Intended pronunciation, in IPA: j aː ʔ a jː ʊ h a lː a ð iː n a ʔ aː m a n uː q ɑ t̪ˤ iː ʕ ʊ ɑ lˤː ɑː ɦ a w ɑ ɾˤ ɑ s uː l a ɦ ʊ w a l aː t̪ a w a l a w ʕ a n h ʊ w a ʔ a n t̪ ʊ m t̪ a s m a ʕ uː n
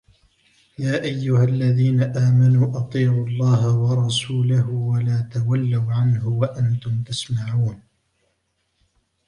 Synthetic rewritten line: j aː ʔ a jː ʊ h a lː a ð iː n a ʔ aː m a n uː ʔ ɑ t̪ˤ iː ʕ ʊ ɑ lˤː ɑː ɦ a w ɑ ɾˤ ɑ s uː l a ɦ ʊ w a l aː t̪ a w a lː a w ʕ a n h ʊ w a ʔ a n t̪ ʊ m t̪ a s m a ʕ uː n

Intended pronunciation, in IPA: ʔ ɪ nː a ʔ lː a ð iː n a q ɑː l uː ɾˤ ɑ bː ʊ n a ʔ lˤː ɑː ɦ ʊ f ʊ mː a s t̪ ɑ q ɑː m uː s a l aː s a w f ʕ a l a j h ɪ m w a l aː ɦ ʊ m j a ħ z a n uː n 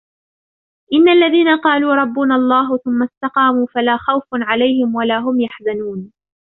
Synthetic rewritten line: ʔ ɪ nː a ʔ lː a ð iː n a q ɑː l uː ɾˤ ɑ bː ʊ n a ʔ lˤː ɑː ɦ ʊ θ ʊ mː a s t̪ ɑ q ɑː m uː f a l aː x a w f ʕ a l a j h ɪ m w a l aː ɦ ʊ m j a ħ z a n uː n

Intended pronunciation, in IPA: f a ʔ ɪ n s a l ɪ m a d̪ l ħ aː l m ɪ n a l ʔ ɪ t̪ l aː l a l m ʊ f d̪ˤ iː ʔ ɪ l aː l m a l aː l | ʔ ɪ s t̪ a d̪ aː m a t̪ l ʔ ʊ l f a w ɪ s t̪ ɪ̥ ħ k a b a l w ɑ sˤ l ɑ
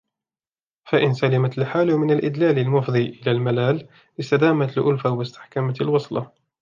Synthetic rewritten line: f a ʔ ɪ n s a l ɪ m a t̪ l ħ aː l m ɪ n a l ʔ ɪ d̪ l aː l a l m ʊ f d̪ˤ iː ʔ ɪ l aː l m a l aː l | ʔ ɪ s t̪ a d̪ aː m a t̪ l ʔ ʊ l f a w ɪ s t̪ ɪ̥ ħ k a m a l w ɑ sˤ l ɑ

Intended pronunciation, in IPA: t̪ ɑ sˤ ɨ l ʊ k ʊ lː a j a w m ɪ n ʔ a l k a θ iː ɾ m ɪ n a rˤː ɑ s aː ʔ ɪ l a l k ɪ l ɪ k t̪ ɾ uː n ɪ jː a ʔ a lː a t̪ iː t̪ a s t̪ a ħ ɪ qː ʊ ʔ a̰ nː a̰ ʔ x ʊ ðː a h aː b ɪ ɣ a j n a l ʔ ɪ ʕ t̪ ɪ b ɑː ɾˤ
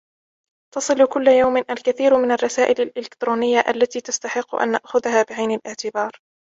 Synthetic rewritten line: t̪ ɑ sˤ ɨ l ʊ k ʊ lː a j a w m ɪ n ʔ a l k a θ iː ɾ m ɪ n a rˤː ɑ s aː ʔ ɪ l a l ʔ ɪ l ɪ k t̪ ɾ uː n ɪ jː a ʔ a lː a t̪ iː t̪ a s t̪ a ħ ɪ qː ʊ ʔ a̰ nː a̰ ʔ x ʊ ð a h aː b ɪ ʕ a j n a l ʔ ɪ ʕ t̪ ɪ b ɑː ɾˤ

